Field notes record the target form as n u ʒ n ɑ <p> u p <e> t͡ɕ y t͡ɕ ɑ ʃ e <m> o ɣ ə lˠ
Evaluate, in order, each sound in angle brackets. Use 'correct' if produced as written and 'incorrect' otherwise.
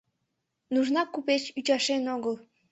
incorrect: k, correct, incorrect: n

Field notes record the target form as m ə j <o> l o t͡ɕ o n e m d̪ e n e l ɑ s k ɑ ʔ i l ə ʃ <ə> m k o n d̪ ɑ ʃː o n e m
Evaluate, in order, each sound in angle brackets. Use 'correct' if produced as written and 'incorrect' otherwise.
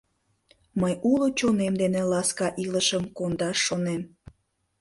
incorrect: u, correct

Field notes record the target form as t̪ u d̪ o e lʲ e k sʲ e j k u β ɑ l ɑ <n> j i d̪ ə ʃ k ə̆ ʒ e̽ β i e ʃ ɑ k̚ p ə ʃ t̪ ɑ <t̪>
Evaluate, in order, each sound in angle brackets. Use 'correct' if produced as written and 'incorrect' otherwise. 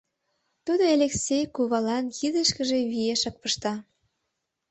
correct, incorrect: none

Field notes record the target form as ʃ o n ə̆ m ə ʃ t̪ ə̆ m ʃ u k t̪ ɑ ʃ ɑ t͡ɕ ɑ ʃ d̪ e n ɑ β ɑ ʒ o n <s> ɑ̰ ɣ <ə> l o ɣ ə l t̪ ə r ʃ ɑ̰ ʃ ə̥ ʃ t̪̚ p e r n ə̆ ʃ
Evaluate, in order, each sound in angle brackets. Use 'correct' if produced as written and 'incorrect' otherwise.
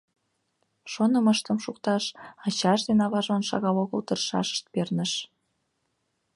incorrect: ʃ, incorrect: ɑ

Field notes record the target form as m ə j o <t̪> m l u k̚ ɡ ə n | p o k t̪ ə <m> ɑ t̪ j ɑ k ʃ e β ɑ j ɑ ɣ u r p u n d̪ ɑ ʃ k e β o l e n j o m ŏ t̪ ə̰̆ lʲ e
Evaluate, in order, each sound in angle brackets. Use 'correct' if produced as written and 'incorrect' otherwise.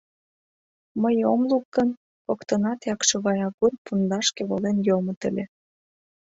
incorrect: none, incorrect: n

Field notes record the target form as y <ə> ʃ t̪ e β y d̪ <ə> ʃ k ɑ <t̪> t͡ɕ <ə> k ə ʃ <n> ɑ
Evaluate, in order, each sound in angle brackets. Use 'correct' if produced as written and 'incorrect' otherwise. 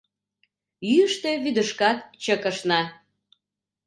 correct, correct, correct, correct, correct

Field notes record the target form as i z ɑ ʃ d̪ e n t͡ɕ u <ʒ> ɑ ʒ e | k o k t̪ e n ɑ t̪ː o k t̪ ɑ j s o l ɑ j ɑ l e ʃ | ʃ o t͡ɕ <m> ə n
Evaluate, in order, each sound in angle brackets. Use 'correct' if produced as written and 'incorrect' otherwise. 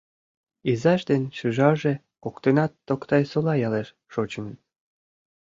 correct, correct

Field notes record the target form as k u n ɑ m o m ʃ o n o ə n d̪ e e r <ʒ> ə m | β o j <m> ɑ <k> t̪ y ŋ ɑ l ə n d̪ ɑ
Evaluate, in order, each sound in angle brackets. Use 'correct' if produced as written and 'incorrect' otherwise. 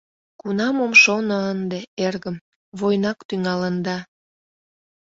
incorrect: ɣ, incorrect: n, correct

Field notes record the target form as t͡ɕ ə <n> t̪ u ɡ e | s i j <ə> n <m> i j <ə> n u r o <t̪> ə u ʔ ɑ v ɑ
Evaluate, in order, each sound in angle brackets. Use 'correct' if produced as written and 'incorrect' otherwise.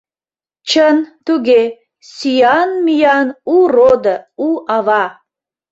correct, incorrect: ɑ, correct, incorrect: ɑ, incorrect: d̪

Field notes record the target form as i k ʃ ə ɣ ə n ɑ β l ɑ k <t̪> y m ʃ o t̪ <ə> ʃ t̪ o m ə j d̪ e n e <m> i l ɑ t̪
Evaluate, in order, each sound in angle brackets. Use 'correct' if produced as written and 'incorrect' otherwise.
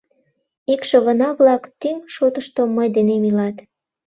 correct, correct, correct

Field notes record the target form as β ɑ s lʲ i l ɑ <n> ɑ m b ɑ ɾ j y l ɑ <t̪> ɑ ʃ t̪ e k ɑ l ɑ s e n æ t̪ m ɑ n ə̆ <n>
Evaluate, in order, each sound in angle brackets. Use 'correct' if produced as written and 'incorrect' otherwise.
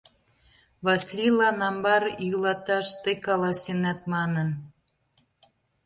correct, correct, correct

